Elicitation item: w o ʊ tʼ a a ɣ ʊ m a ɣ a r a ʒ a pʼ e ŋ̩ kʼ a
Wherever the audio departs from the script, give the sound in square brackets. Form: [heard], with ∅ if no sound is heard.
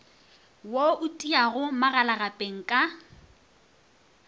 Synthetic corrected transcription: w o ʊ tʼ [i] a ɣ ʊ m a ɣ a [l] a [ɣ] a pʼ e ŋ̩ kʼ a